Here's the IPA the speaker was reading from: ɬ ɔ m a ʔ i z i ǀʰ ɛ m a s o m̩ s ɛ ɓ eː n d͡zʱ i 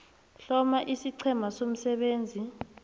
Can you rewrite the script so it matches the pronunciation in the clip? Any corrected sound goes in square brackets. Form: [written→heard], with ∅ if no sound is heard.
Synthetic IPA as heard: ɬ ɔ m a ʔ i [z→s] i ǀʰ ɛ m a s o m̩ s ɛ ɓ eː n d͡zʱ i